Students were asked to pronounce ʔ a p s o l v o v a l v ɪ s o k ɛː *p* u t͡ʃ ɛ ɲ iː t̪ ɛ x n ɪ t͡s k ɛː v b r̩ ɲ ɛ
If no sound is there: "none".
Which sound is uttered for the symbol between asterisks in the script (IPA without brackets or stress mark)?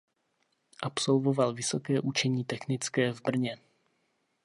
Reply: ʔ